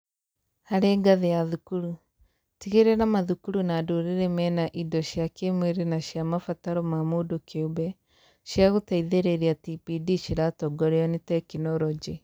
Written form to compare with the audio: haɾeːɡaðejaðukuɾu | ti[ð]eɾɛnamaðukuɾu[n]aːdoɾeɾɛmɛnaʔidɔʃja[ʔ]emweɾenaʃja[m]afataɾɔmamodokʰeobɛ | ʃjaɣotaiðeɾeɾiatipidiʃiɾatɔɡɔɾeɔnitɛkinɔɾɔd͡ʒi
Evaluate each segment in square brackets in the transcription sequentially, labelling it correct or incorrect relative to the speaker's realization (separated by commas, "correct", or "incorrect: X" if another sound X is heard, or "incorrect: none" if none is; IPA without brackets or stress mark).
incorrect: ɣ, correct, incorrect: k, correct